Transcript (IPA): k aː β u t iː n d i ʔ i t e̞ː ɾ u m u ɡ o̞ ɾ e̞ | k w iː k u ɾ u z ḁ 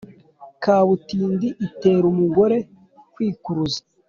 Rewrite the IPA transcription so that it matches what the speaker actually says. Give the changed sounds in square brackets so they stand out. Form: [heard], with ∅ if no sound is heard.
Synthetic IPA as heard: k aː β u t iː n d i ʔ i t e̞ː ɾ u m u ɡ o̞ ɾ e̞ | k w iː k u ɾ u z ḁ